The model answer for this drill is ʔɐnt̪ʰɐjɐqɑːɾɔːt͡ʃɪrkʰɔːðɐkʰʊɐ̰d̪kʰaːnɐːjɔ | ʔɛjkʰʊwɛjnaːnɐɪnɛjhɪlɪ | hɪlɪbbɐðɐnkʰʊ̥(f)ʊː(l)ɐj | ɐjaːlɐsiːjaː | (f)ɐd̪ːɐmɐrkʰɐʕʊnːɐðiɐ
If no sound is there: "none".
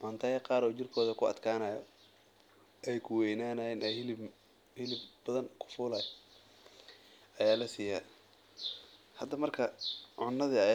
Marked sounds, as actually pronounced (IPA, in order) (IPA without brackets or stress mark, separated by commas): f, l, h